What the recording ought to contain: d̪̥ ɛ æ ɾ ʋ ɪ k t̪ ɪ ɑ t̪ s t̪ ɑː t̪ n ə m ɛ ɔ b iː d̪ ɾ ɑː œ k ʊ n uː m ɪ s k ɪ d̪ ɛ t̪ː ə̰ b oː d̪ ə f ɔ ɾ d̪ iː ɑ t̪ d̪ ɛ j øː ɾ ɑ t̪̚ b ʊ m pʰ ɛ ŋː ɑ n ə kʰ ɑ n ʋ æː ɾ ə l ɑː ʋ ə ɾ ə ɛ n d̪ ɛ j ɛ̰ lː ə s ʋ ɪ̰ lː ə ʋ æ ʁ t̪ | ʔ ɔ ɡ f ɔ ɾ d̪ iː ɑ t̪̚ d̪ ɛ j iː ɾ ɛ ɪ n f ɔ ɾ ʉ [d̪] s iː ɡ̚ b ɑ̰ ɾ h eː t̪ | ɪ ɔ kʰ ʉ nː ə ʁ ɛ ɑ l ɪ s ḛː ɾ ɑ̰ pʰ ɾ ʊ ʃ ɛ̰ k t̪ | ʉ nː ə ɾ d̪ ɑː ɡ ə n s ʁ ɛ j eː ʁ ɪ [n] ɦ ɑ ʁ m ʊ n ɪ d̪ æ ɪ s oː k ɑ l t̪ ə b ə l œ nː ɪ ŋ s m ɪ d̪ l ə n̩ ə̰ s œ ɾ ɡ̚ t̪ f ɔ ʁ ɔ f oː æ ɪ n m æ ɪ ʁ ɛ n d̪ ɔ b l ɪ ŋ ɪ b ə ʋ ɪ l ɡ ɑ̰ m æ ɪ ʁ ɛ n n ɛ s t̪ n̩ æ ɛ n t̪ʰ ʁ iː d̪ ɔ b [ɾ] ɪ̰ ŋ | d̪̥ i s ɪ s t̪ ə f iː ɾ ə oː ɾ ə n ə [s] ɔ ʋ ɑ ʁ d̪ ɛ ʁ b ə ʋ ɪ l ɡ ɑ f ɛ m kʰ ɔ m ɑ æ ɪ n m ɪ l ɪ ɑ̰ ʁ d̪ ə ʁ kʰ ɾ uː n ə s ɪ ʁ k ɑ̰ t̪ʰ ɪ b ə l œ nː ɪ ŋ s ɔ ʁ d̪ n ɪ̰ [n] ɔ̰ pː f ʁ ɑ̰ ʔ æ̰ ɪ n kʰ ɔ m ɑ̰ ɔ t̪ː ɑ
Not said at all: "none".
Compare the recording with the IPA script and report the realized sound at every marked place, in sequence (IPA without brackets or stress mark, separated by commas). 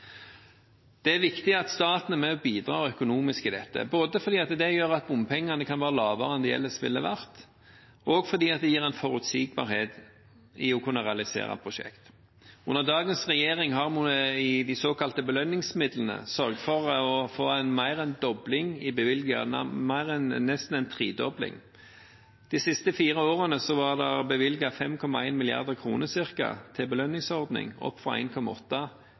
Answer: t̪, ŋ, l, s, ŋ